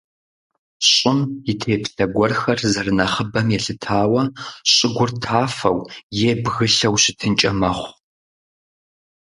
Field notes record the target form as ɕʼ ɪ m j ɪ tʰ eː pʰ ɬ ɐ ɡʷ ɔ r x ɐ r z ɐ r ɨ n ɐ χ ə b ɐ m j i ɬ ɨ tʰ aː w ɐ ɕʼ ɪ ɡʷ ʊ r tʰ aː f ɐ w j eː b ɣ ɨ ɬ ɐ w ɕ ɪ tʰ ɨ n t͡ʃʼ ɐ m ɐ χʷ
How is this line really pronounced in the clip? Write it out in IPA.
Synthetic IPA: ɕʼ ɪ m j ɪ tʰ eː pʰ ɬ ɐ ɡʷ ɔ r x ɐ r z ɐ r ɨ n ɐ χ ə b ɐ m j ɛ ɬ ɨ tʰ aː w ɐ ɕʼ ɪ ɡʷ ʊ r tʰ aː f ɐ w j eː b ɣ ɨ ɬ ɐ w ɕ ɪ tʰ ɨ n t͡ʃʼ ɐ m ɐ χʷ